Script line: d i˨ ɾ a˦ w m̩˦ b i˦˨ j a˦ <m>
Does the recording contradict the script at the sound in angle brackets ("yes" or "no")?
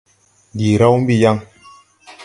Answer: yes